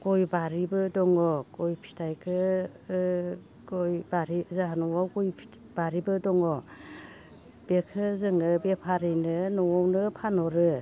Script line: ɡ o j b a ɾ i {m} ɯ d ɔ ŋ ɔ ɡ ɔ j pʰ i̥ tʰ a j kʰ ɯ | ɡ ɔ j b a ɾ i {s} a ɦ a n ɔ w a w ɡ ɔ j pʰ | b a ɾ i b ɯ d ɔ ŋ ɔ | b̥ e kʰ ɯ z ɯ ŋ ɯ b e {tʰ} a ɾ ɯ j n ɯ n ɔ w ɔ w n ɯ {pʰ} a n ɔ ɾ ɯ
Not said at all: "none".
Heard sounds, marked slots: b, z, pʰ, pʰ

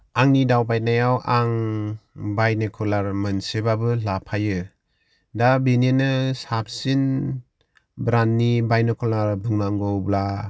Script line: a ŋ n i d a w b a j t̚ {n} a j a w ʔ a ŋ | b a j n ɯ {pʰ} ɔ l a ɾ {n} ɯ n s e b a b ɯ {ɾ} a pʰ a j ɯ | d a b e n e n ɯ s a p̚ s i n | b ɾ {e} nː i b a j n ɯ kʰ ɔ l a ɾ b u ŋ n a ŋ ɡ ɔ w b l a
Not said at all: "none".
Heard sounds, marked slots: n, kʰ, m, l, a

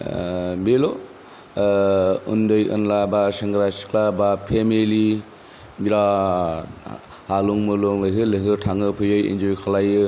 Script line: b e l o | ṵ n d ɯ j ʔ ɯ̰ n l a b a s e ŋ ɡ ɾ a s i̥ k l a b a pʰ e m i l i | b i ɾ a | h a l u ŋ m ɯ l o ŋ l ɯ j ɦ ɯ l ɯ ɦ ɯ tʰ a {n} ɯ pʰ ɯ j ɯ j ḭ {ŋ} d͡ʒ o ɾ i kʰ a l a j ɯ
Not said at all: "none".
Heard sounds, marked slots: ŋ, n

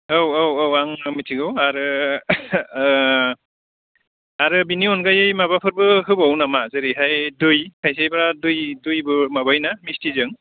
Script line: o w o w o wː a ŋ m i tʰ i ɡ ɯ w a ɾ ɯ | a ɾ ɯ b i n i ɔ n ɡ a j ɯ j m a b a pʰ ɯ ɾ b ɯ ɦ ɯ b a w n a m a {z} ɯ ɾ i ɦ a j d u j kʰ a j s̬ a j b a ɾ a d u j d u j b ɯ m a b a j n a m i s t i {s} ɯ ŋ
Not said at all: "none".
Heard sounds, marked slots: z, z

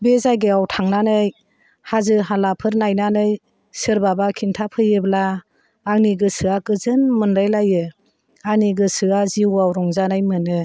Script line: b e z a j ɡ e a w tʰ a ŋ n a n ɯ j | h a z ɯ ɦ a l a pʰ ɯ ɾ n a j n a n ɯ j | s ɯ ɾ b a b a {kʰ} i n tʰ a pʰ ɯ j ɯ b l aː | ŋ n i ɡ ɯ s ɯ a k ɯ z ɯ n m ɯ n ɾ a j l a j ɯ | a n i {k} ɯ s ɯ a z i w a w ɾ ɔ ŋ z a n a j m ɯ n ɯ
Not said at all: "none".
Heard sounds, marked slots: kʰ, ɡ

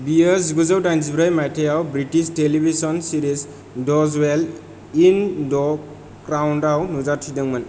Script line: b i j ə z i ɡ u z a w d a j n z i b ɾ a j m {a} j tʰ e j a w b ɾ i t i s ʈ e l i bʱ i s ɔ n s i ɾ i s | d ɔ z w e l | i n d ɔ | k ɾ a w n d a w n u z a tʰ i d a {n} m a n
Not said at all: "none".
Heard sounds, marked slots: a, ŋ

